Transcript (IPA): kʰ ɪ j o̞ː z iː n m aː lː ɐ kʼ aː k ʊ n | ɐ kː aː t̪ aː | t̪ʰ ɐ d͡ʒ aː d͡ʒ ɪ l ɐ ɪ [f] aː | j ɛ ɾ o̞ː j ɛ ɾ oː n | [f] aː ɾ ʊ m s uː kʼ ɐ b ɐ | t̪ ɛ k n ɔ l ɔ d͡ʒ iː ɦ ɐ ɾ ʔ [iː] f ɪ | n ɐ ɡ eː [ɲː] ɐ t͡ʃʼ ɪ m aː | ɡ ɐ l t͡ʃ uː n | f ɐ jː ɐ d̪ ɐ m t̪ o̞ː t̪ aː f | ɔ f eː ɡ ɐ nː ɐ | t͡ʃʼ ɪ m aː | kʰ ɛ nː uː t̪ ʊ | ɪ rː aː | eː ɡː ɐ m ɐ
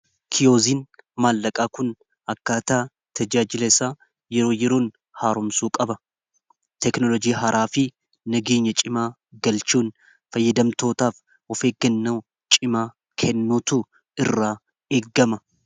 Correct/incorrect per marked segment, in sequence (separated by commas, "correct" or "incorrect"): incorrect, incorrect, incorrect, correct